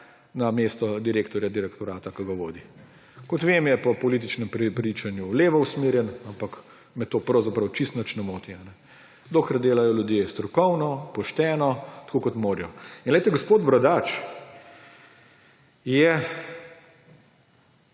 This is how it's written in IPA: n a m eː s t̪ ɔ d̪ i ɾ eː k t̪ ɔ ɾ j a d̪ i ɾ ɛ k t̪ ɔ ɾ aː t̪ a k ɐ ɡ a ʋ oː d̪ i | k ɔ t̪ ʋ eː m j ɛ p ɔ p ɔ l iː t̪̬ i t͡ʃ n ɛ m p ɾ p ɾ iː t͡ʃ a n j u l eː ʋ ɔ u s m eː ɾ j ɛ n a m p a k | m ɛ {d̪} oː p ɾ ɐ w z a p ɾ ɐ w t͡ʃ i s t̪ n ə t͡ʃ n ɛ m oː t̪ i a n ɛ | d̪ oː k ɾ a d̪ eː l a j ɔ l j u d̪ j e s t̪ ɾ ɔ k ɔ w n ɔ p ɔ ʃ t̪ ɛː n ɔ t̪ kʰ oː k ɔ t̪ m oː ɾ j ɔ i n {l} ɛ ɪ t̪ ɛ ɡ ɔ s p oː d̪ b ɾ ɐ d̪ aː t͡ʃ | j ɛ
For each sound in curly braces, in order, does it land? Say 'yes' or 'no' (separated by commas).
no, yes